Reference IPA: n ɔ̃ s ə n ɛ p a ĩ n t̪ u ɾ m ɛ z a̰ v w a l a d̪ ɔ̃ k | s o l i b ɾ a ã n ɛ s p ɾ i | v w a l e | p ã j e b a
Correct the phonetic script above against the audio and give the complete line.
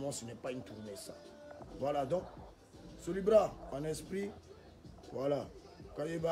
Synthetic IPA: m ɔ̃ s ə n ɛ p a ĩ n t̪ u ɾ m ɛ s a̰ v w a l a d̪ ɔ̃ k | s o l i b ɾ a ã n ɛ s p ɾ i | v w a l a | k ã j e b a